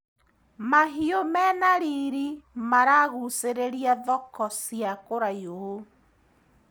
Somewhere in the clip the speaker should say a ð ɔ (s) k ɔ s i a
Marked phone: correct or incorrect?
incorrect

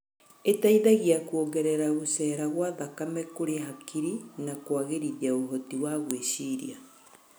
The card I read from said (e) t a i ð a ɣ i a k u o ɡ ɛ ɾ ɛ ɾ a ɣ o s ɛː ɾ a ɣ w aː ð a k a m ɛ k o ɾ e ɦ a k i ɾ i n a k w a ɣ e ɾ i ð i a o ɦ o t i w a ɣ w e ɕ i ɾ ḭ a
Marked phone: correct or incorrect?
correct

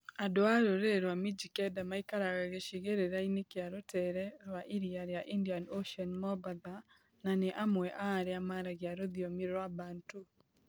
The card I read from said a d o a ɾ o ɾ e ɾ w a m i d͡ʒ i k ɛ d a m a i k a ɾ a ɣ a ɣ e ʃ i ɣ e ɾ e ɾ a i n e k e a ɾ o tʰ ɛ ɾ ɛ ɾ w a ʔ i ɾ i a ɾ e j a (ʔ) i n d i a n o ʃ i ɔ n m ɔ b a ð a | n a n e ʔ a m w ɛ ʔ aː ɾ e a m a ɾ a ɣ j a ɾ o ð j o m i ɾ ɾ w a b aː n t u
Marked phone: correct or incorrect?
correct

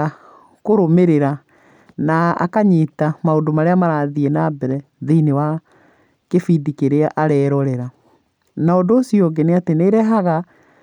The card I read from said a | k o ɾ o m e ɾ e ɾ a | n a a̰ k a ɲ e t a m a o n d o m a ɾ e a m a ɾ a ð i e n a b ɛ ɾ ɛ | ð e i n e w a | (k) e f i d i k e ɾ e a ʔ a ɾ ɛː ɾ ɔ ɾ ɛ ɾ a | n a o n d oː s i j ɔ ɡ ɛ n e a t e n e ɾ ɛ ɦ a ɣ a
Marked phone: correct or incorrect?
correct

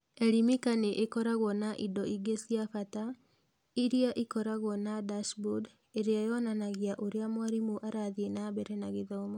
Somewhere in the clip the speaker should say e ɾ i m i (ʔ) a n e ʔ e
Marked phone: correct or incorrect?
incorrect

